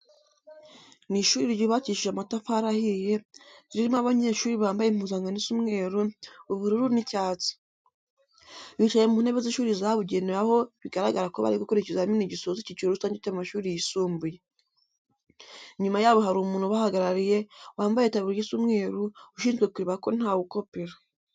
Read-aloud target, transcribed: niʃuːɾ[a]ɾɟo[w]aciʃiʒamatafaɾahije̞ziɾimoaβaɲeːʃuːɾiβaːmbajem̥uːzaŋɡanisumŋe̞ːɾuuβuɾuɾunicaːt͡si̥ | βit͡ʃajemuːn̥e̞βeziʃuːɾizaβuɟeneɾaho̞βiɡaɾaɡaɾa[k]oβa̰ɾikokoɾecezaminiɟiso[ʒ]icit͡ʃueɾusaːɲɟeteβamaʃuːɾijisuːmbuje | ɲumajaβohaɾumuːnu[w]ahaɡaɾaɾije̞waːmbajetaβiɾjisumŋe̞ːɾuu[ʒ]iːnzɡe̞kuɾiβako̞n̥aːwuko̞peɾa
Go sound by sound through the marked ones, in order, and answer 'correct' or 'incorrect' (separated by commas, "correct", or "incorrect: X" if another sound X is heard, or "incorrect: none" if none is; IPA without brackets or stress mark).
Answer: incorrect: i, incorrect: β, correct, incorrect: z, incorrect: β, incorrect: ʃ